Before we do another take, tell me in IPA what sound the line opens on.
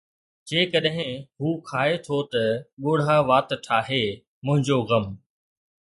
d͡ʑ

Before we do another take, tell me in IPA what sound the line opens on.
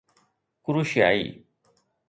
k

